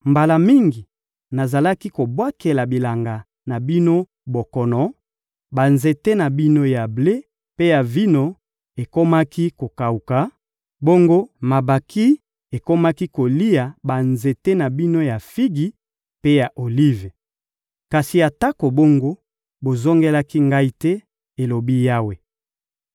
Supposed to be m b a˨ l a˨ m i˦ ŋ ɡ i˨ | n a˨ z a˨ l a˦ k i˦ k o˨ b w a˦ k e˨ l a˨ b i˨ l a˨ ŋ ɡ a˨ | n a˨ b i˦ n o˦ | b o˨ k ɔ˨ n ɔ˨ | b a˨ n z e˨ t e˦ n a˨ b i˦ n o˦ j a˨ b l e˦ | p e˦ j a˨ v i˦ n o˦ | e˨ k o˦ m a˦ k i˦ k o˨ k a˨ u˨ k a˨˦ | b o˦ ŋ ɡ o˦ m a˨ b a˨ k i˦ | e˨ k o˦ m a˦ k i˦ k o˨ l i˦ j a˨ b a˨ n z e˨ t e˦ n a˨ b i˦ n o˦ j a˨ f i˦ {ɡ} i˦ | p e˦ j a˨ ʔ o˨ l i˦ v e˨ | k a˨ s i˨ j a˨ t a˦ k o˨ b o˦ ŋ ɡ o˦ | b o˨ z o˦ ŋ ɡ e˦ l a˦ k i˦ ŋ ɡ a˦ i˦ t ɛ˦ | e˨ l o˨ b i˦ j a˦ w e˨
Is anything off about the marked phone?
no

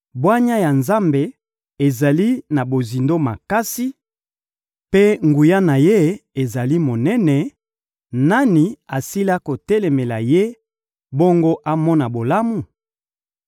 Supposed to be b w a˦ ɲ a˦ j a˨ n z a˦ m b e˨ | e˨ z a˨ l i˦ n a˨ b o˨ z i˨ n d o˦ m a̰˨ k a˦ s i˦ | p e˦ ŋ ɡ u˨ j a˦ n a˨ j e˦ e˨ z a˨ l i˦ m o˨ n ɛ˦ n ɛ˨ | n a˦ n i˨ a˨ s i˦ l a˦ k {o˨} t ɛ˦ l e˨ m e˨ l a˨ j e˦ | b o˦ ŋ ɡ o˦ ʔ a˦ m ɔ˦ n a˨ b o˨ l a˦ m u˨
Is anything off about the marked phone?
no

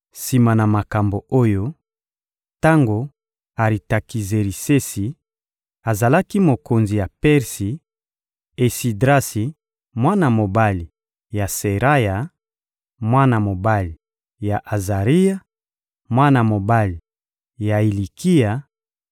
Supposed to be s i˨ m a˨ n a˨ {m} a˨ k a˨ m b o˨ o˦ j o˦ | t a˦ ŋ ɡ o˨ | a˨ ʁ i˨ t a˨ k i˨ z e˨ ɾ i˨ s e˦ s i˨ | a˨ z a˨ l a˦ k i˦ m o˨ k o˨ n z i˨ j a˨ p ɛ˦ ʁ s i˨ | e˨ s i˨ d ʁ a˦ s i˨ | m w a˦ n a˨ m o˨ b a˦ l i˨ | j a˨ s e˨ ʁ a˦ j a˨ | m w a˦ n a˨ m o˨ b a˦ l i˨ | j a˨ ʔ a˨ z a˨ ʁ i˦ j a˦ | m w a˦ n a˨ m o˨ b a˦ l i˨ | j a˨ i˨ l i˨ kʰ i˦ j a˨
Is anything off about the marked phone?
no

